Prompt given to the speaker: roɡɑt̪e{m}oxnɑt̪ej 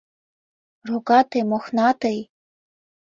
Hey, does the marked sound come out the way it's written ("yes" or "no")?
yes